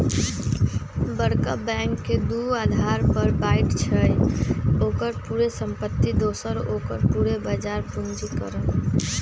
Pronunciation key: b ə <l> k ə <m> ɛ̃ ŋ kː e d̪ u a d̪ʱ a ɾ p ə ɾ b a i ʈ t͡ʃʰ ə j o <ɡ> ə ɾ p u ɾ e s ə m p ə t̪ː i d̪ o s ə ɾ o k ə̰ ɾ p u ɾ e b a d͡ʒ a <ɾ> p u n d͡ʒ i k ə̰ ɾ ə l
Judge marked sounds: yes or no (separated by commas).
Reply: no, no, no, yes